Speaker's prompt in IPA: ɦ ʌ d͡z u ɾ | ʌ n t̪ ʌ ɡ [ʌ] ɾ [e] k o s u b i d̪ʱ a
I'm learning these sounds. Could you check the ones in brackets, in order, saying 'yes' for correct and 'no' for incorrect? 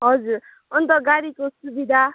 no, no

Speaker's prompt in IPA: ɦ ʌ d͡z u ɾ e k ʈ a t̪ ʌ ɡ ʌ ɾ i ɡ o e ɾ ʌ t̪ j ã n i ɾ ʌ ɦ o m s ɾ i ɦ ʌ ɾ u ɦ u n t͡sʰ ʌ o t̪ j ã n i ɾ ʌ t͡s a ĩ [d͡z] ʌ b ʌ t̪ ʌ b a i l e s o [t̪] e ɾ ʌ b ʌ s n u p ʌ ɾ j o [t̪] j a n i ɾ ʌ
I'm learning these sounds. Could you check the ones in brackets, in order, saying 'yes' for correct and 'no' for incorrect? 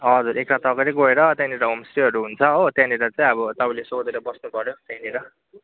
no, no, yes

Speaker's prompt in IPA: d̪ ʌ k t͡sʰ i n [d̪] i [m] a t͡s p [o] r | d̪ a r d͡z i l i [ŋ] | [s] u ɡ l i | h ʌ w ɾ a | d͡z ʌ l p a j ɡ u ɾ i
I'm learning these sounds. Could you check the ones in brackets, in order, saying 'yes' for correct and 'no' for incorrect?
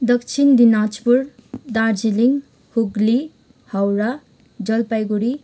yes, no, no, yes, no

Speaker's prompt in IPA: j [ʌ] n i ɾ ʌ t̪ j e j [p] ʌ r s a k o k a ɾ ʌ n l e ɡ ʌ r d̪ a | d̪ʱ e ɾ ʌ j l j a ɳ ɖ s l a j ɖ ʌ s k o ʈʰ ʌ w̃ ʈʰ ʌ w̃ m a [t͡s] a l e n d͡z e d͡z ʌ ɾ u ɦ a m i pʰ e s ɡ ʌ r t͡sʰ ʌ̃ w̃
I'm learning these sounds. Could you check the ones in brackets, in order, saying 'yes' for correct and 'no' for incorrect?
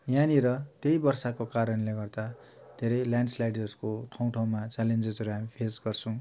no, no, yes

